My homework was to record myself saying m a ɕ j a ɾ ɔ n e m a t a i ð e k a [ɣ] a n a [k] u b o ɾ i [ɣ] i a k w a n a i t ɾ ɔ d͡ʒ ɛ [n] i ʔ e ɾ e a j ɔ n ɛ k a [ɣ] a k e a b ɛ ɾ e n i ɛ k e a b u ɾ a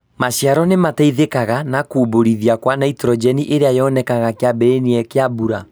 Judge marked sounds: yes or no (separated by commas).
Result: yes, yes, no, yes, yes